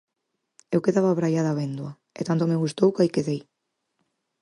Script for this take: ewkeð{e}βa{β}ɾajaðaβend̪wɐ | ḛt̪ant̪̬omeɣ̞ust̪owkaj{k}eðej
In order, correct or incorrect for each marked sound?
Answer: incorrect, correct, correct

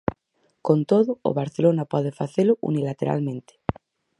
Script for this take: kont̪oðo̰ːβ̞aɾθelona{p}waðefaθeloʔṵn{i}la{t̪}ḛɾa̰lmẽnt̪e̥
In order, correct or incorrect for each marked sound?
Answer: correct, correct, correct

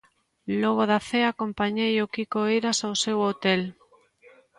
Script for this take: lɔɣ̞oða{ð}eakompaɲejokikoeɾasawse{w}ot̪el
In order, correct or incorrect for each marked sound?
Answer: incorrect, correct

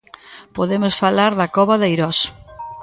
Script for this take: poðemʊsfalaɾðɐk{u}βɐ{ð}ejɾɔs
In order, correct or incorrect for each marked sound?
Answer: incorrect, correct

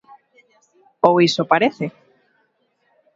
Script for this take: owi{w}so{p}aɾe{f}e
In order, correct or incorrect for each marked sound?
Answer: incorrect, correct, incorrect

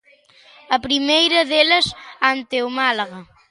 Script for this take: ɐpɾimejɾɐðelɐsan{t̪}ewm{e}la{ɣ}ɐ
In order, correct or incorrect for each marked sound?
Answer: correct, incorrect, correct

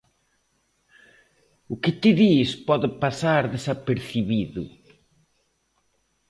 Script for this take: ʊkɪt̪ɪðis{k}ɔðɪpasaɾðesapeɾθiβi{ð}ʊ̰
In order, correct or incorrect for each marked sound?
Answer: incorrect, correct

